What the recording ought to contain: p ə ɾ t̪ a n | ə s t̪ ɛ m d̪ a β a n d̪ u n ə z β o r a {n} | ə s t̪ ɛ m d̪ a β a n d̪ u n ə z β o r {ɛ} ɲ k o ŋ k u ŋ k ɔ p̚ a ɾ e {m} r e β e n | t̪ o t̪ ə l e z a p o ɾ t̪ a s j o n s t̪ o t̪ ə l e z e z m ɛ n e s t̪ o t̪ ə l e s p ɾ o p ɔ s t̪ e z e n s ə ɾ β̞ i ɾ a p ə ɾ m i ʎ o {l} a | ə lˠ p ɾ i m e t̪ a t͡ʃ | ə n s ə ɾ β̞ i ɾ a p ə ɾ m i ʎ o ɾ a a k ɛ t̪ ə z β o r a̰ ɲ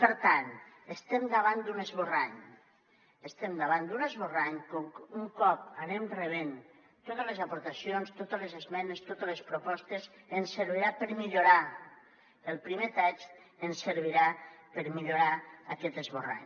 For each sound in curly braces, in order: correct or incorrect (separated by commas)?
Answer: incorrect, incorrect, correct, incorrect